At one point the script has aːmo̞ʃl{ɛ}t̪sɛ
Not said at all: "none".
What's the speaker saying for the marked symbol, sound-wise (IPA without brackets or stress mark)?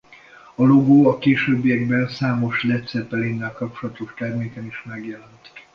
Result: ɛ